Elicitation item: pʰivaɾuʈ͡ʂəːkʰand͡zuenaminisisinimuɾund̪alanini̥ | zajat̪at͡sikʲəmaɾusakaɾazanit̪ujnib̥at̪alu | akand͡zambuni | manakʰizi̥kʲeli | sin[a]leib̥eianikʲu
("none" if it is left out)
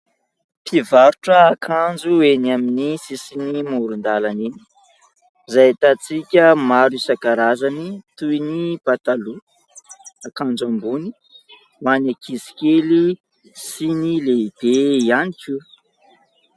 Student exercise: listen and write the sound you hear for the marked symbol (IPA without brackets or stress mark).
i